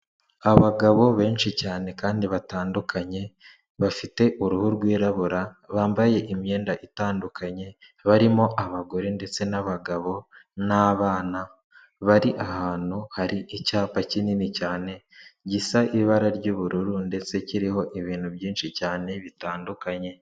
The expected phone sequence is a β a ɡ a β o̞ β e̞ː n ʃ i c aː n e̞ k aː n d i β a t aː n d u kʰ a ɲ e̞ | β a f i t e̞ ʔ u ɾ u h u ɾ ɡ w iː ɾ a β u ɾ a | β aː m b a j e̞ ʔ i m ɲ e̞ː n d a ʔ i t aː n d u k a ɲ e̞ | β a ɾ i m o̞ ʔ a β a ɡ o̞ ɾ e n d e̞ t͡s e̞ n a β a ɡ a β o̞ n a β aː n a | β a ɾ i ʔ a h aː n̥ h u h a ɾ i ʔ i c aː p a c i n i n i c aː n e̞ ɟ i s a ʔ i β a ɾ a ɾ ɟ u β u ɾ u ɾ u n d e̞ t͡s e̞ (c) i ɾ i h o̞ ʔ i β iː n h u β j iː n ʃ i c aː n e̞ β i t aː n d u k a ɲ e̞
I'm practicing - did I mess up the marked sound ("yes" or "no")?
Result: no